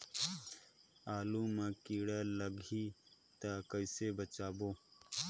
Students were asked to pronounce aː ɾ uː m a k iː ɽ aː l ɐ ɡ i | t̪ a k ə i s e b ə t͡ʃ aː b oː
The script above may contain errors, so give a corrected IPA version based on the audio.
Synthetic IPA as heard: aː l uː m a k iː ɽ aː l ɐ ɡ i | t̪ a k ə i s e b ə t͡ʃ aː b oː